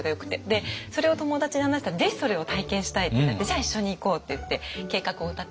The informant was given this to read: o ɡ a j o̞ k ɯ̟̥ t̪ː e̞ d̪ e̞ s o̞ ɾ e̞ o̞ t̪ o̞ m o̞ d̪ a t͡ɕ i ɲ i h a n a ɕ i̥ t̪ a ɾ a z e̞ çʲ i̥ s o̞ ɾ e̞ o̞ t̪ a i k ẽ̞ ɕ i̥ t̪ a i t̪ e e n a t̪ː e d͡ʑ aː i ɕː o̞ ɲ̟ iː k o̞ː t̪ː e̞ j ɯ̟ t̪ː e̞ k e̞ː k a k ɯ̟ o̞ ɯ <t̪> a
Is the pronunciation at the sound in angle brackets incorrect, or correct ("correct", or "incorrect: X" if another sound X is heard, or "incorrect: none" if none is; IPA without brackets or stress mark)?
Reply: correct